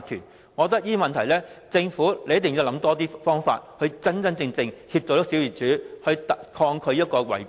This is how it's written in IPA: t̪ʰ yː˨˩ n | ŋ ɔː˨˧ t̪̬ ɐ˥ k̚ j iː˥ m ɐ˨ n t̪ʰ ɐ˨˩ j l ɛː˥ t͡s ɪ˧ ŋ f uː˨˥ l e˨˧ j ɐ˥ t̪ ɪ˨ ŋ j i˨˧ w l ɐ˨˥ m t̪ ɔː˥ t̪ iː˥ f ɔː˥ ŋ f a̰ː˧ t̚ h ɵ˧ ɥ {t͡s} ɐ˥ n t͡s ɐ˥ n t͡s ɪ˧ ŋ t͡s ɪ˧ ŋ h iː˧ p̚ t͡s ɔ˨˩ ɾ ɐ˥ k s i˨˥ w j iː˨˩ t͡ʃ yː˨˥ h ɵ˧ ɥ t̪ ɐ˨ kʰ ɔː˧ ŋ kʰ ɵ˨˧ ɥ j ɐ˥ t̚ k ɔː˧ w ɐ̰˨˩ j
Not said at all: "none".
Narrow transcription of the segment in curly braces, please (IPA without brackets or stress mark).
t͡s